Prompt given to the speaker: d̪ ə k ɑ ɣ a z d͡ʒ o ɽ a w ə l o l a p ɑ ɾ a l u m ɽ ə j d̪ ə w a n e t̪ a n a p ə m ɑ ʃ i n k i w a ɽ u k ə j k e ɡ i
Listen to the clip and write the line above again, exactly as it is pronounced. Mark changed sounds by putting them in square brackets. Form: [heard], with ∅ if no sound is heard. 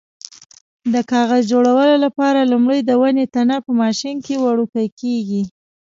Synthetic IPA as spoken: d̪ ə k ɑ ɣ a z d͡ʒ o ɽ a w ə l o l a p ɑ ɾ a l u m ɽ ə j d̪ ə w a n e t̪ a n a p ə m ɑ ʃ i n k [e] w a ɽ u k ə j k e ɡ i